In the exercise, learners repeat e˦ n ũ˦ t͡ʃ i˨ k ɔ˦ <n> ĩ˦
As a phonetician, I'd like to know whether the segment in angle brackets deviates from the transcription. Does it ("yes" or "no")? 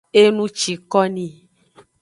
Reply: no